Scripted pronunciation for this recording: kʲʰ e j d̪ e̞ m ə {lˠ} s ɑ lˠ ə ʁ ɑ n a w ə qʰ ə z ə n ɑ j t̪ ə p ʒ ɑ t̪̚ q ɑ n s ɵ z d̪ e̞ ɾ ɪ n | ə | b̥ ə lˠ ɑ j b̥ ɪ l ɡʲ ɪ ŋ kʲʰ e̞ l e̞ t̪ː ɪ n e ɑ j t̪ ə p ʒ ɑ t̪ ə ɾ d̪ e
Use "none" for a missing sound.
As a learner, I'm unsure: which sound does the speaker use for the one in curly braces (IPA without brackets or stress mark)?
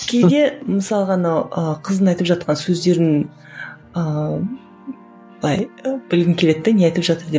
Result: none